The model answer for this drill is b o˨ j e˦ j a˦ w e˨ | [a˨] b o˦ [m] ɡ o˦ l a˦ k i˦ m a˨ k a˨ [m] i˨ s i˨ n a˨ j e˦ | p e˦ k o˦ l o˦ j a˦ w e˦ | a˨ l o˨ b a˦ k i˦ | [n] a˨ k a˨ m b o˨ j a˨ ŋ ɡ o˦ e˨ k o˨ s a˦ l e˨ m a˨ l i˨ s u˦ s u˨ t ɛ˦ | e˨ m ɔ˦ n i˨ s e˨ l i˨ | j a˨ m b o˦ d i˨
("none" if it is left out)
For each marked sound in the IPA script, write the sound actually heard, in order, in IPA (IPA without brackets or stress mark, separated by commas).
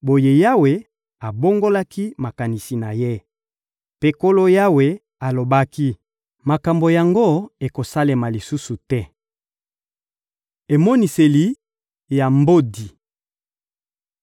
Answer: a˨, ŋ, n, m